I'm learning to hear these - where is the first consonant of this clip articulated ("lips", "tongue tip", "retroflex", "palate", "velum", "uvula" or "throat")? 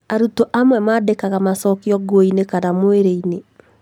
tongue tip